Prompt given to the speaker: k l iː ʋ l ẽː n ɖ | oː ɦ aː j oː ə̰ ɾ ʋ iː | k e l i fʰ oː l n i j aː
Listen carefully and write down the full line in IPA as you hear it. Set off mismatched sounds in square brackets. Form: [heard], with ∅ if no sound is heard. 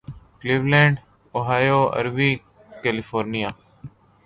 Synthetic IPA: k l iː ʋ l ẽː [ɳ] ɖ | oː ɦ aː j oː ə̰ ɾ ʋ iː | k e l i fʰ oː [ɾ] n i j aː